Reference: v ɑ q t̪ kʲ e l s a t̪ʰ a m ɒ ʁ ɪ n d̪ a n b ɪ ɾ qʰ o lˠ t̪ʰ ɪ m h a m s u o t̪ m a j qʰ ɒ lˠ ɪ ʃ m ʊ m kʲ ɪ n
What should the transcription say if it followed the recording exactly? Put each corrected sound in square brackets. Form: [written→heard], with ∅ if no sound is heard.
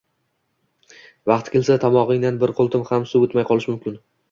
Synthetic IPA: v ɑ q t̪ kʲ e l s a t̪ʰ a m ɒ ʁ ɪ [n→ŋ] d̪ a n b ɪ ɾ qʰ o lˠ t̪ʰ ɪ m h a m s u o t̪ m a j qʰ ɒ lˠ ɪ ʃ m ʊ m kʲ ɪ n